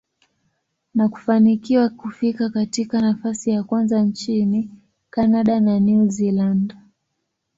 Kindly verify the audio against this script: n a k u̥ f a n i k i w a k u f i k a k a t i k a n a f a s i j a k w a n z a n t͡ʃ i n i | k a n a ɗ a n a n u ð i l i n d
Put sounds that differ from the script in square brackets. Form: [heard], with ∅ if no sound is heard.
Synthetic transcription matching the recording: n a k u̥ f a n i k i w a k u f i k a k a t i k a n a f a s i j a k w a n z a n t͡ʃ i n i | k a n a ɗ a n a n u [z] i l [a] n d